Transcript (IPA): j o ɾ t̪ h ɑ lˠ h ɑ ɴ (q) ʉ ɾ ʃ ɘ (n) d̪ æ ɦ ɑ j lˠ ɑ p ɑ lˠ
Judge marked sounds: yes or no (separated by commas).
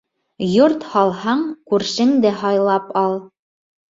no, no